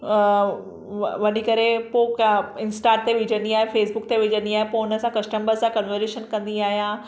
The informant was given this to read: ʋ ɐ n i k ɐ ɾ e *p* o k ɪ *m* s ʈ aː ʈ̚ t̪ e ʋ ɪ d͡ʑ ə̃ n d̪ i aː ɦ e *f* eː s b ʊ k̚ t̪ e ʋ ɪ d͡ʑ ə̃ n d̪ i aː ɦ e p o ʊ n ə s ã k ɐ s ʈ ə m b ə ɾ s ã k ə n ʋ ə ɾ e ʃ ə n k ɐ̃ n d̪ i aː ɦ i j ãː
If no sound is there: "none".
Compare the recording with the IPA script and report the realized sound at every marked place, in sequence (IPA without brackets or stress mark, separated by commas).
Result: p, n, f